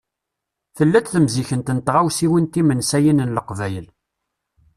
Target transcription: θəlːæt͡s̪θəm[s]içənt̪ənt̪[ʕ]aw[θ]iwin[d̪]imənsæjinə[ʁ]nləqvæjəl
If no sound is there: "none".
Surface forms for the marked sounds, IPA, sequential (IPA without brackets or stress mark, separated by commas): z, ʁ, s, t̪, none